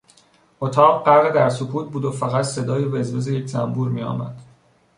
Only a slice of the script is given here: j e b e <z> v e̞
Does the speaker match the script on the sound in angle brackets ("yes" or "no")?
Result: yes